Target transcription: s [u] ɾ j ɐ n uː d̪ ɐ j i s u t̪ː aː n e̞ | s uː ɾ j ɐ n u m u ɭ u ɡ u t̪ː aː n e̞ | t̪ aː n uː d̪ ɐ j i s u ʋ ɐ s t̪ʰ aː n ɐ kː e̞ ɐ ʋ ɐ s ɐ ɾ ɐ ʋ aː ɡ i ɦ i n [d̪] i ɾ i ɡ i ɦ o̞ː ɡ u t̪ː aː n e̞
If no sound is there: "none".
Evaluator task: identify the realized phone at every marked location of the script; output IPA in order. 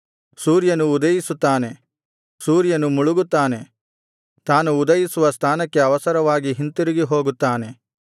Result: uː, t̪

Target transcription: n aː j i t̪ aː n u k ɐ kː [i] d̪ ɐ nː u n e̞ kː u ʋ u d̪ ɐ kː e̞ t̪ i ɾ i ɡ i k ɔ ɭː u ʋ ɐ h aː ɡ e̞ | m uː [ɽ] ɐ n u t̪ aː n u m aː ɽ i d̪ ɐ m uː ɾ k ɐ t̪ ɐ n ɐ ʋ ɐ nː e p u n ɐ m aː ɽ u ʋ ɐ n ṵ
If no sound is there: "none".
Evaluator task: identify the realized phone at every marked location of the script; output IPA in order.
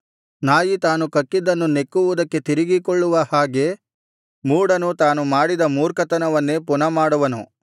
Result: i, ɽ

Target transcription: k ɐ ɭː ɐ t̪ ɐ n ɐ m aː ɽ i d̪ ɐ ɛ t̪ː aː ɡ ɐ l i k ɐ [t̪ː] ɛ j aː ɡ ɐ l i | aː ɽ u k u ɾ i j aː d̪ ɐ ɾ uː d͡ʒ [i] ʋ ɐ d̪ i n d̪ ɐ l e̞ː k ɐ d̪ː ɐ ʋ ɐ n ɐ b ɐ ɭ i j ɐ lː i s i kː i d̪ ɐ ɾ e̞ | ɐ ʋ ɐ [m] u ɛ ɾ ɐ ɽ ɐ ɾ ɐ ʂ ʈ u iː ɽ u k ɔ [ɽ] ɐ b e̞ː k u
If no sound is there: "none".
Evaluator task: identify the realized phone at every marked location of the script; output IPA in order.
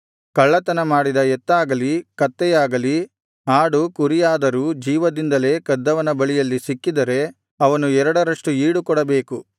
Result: t̪ː, iː, n, ɽ

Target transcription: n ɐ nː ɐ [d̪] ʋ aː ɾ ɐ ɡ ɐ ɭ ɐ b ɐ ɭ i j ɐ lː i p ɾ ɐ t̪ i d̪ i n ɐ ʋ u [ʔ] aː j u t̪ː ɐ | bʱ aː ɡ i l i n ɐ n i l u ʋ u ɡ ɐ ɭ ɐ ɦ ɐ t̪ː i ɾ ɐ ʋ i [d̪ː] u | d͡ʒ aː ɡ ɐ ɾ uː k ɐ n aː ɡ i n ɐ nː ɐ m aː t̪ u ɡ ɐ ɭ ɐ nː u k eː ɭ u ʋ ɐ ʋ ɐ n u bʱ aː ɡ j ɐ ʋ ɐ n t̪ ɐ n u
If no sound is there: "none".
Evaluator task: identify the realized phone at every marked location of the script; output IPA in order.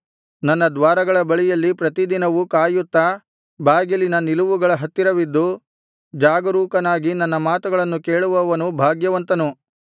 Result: d̪, k, d̪ː

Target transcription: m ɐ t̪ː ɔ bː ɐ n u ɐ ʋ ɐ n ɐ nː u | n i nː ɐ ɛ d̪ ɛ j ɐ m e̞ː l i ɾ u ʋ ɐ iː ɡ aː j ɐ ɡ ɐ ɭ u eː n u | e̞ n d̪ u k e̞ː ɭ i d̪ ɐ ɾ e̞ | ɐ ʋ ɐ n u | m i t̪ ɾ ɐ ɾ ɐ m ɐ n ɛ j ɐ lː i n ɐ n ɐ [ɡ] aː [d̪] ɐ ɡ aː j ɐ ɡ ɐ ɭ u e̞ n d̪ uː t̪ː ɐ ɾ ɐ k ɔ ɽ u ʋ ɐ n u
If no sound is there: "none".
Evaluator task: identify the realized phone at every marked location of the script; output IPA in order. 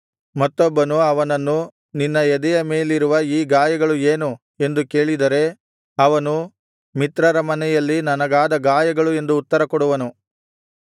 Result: ɡ, d̪

